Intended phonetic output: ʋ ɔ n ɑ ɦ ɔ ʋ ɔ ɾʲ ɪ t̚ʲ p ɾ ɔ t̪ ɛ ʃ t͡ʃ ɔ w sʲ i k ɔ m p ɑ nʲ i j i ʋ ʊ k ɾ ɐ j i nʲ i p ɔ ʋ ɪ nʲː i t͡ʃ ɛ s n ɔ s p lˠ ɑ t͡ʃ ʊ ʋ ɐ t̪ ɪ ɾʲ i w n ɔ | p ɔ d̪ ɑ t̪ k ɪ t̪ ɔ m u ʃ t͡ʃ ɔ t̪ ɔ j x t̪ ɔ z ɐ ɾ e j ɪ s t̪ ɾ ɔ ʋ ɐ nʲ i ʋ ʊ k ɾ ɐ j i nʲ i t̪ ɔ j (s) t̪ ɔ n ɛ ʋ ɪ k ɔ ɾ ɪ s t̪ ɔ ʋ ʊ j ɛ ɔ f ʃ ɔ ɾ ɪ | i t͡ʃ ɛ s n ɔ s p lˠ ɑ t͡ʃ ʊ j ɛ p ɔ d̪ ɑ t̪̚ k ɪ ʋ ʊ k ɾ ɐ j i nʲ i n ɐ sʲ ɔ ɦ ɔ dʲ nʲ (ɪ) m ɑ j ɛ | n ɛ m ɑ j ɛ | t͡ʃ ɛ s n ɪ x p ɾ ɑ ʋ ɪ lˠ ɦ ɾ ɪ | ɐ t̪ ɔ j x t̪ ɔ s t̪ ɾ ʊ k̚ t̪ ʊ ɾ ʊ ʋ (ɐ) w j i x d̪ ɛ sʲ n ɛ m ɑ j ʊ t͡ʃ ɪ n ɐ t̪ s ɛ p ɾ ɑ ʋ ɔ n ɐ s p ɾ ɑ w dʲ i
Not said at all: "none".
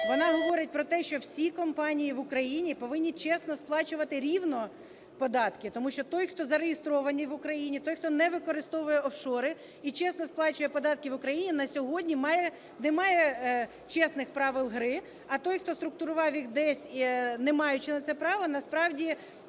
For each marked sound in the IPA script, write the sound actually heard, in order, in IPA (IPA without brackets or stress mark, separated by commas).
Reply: x, i, ɑ